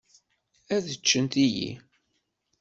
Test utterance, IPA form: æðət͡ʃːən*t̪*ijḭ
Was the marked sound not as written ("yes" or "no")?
no